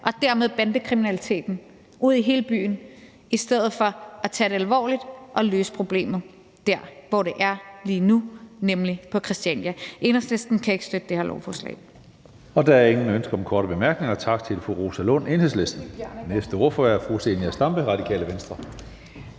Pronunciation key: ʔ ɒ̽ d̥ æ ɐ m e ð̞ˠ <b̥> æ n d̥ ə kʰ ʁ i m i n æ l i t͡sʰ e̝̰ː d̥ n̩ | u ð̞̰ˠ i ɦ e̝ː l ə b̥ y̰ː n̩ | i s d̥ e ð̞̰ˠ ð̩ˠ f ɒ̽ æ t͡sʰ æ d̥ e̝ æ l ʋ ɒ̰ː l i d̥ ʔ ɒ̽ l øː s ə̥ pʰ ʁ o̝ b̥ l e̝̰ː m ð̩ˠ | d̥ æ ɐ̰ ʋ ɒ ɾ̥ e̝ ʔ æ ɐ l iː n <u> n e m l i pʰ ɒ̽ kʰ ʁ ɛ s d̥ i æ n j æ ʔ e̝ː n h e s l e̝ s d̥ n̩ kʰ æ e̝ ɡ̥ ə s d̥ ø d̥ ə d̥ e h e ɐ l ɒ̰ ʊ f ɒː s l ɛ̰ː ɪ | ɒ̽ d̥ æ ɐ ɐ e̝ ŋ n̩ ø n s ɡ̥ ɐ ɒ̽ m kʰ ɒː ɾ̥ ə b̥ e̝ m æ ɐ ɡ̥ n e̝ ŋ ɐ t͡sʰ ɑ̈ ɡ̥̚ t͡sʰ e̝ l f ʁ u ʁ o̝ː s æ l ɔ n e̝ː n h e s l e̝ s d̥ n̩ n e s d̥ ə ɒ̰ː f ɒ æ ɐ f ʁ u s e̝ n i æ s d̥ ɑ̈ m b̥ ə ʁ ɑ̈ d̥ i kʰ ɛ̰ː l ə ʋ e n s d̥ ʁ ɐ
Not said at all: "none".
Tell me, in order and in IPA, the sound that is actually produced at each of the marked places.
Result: b̥, u

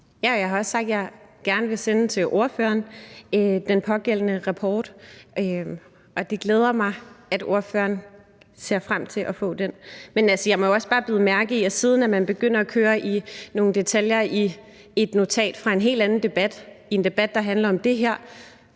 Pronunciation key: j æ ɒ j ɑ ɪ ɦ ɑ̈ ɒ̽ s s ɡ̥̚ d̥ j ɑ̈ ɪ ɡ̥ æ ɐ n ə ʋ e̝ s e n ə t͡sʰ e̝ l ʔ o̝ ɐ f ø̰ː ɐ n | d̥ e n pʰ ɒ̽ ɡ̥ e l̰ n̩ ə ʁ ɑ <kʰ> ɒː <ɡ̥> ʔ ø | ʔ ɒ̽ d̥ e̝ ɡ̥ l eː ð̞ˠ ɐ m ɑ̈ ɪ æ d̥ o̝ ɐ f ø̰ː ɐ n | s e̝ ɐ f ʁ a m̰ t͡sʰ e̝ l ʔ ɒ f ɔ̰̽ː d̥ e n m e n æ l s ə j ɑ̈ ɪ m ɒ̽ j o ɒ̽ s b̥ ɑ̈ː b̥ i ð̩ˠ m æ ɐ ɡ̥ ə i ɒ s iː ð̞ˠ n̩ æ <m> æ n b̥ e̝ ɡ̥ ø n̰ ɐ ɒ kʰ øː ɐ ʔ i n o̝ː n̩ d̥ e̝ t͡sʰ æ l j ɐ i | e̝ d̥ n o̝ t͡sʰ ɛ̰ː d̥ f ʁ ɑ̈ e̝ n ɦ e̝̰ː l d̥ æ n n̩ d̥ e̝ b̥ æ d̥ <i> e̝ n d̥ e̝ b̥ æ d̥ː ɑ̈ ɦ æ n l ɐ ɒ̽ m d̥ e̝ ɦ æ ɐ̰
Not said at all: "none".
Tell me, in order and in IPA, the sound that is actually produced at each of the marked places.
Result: pʰ, d̥, m, i

